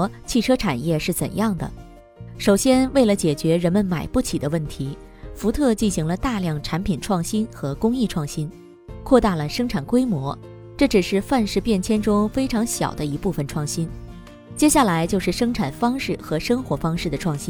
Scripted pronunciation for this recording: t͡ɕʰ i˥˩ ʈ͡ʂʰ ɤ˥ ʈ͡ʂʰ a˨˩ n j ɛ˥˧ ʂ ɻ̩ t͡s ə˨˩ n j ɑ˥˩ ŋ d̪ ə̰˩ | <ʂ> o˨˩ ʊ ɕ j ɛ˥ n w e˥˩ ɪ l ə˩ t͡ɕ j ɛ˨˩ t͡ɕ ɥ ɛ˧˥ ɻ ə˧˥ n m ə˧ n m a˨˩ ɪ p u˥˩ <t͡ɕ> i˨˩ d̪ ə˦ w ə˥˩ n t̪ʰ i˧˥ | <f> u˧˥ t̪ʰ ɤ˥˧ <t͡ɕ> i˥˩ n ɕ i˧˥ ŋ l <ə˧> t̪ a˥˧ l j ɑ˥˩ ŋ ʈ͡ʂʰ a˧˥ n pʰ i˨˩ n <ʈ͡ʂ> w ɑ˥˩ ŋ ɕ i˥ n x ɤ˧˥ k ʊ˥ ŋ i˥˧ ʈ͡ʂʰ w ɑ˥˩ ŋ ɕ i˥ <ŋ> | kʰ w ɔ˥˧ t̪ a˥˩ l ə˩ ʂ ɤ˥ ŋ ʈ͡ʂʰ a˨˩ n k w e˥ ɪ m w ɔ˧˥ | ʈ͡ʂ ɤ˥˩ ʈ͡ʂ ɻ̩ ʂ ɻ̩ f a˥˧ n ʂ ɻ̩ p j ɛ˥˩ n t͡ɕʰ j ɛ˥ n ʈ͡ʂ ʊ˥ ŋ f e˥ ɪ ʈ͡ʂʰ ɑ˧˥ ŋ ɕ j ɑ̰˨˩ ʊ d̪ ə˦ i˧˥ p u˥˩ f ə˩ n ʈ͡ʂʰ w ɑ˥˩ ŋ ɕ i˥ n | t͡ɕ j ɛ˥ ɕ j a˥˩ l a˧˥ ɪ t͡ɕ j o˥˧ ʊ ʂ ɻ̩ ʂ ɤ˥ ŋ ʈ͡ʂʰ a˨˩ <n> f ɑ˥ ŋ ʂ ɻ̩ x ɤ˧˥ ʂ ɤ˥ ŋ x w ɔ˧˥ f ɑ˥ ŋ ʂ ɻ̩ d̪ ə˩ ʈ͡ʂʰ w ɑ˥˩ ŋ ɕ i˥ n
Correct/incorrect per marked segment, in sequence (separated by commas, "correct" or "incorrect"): correct, incorrect, correct, correct, correct, incorrect, incorrect, correct